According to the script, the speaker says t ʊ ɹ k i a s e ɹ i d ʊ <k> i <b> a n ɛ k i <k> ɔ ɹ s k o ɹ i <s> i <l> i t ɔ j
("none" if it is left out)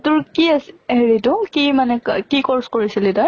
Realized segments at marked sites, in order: k, m, k, s, l

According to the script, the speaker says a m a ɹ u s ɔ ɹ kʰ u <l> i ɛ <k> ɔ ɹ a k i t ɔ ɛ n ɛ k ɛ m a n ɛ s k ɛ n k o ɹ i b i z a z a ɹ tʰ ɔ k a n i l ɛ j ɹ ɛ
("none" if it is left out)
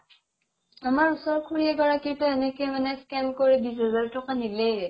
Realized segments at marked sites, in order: ɹ, ɡ

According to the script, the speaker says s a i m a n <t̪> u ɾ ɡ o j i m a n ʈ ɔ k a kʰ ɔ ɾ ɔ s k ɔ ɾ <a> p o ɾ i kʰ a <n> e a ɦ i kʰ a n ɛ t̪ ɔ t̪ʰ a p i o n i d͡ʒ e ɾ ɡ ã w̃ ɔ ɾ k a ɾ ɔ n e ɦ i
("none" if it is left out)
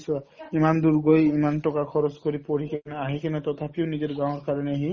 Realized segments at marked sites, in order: d̪, i, n

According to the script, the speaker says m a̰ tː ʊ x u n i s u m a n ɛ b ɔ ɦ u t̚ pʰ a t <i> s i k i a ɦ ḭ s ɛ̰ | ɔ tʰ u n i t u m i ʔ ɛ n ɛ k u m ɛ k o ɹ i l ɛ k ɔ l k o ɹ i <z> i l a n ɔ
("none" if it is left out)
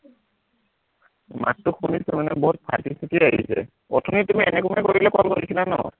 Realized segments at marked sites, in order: i, s

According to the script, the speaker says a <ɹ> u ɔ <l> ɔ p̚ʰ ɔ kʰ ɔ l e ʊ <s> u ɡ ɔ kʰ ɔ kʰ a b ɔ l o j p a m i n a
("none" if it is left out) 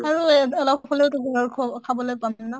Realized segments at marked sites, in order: ɹ, l, t

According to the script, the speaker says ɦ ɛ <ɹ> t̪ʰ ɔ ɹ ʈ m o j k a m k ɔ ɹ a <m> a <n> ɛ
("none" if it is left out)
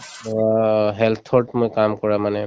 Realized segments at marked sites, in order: l, m, n

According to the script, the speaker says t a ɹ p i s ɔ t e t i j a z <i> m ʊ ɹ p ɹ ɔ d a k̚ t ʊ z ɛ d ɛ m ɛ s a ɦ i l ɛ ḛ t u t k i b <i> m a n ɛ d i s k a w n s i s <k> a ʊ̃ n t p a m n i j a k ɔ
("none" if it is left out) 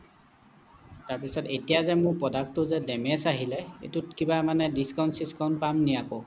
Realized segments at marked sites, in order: ɛ, a, k

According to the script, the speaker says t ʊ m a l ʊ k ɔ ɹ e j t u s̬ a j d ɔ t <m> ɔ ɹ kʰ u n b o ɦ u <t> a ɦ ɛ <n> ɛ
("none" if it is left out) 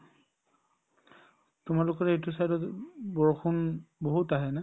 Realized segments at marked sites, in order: b, t, n

